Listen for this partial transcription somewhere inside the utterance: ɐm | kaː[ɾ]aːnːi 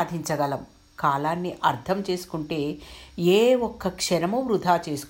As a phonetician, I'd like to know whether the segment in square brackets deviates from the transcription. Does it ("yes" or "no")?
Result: yes